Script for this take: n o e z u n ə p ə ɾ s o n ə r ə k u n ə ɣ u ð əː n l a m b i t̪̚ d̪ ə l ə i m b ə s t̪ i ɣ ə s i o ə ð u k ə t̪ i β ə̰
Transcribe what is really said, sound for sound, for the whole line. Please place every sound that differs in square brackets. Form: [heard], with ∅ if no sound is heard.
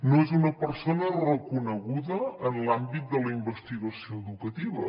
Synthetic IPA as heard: n o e z u n ə p ə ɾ s o n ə r ə k u n ə ɣ u ð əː n l a m b i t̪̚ d̪ ə l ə i m b ə s t̪ i ɣ ə s i o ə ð u k ə t̪ i β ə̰